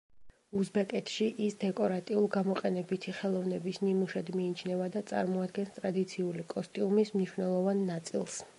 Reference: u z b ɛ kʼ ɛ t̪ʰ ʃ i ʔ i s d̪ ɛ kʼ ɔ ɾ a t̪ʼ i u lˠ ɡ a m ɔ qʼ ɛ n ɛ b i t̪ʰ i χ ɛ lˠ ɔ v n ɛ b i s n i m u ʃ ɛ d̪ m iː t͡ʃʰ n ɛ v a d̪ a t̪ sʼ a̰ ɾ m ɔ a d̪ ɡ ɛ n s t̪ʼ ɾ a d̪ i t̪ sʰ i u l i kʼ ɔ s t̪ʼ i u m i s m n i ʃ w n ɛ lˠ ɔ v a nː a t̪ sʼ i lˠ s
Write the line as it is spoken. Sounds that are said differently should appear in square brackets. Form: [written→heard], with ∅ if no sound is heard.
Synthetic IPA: u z b ɛ kʼ ɛ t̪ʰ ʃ i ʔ i s d̪ ɛ kʼ ɔ ɾ a t̪ʼ i u lˠ ɡ a m ɔ qʼ ɛ n ɛ b i t̪ʰ i χ ɛ lˠ ɔ v n ɛ b i s n i m u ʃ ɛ d̪ m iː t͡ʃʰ n ɛ v a d̪ a t̪ sʼ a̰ ɾ m ɔ a d̪ ɡ ɛ n s t̪ʼ ɾ a d̪ i t̪ sʰ i u l i kʼ ɔ s t̪ʼ i u m i s m n i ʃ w n ɛ lˠ ɔ v a nː a t̪ sʼ i lˠ s